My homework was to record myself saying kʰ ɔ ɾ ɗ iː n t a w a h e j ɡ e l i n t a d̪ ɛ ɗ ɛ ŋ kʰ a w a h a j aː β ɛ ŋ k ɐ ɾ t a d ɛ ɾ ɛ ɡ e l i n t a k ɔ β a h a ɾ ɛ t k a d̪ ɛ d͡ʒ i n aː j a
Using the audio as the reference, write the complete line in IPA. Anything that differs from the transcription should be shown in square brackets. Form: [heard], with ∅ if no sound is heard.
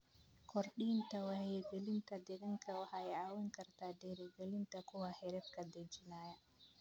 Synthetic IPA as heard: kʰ ɔ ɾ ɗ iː n t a w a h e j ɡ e l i n t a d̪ ɛ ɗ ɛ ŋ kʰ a w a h a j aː [w] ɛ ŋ k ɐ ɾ t a d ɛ ɾ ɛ ɡ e l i n t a k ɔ [w] a h [ɛ] ɾ ɛ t k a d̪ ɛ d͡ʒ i n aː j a